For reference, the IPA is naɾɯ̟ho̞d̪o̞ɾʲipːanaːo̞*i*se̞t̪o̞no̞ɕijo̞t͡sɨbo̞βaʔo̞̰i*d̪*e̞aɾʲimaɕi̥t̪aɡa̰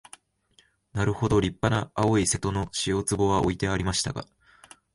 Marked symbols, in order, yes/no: yes, no

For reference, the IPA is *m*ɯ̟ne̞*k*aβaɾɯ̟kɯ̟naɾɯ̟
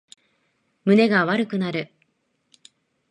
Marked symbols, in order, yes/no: yes, no

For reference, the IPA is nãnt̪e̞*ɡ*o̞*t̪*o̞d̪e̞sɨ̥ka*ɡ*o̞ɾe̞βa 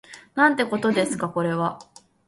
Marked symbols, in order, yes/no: no, yes, no

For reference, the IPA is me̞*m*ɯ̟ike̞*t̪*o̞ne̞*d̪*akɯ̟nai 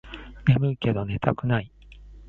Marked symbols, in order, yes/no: yes, no, no

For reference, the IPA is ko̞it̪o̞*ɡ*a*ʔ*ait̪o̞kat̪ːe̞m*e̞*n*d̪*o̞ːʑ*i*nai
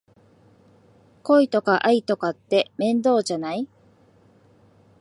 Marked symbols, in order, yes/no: no, yes, no, yes, no

